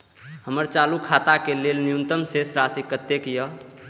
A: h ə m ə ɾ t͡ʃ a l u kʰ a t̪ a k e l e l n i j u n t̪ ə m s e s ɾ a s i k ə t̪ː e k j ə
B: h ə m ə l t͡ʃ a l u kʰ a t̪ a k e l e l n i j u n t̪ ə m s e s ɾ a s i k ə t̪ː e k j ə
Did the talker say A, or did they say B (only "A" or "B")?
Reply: A